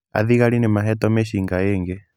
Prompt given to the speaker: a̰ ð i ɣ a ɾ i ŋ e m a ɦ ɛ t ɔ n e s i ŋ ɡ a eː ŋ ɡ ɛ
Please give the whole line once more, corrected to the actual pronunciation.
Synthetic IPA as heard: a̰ ð i ɣ a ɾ i n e m a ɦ ɛ t ɔ m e ʃ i ŋ ɡ a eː ŋ ɡ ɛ